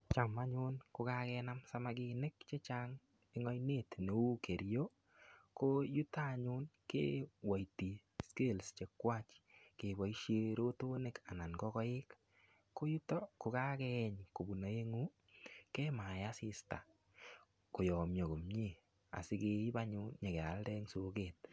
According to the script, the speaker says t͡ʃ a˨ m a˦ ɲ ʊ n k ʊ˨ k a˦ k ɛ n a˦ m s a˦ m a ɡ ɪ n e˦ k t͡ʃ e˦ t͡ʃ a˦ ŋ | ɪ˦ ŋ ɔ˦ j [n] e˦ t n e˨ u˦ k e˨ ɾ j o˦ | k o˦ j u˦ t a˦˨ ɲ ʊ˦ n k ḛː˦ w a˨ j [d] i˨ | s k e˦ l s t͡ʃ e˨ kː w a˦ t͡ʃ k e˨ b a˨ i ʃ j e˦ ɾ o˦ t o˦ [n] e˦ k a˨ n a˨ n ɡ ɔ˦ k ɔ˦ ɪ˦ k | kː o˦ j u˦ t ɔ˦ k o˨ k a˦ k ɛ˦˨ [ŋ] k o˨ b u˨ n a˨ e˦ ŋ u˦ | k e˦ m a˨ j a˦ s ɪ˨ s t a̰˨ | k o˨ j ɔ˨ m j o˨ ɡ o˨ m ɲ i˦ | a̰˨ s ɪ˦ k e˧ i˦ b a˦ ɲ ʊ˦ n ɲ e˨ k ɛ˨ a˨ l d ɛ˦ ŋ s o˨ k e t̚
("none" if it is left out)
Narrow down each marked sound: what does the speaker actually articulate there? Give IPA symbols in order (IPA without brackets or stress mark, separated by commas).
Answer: n, t, n, ɲ